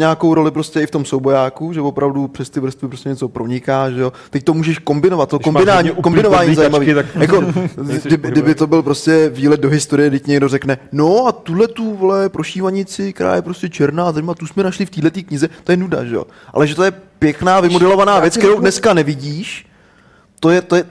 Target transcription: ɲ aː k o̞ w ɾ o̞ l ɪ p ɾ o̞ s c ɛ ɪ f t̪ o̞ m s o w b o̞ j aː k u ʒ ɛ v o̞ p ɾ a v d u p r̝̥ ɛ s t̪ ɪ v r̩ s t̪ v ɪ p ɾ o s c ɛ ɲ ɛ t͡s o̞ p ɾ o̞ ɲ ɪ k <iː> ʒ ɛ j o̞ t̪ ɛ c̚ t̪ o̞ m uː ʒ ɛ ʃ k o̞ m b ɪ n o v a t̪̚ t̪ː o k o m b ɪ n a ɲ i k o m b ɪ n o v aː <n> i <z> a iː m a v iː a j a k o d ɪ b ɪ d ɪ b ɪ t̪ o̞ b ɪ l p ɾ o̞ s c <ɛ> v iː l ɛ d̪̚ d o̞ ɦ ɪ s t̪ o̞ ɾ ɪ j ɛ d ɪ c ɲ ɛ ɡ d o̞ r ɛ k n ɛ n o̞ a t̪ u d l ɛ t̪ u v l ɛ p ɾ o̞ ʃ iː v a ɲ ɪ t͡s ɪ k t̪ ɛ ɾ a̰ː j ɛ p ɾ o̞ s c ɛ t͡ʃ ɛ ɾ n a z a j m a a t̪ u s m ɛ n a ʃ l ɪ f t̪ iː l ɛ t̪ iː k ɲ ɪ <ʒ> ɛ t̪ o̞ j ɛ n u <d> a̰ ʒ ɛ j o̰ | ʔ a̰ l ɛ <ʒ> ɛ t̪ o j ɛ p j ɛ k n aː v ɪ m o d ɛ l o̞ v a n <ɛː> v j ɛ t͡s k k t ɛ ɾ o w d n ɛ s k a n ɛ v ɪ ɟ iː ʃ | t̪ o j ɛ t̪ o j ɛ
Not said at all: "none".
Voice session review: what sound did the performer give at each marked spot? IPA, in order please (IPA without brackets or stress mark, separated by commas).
aː, ɲ, z, ɛ, z, d, ʒ, aː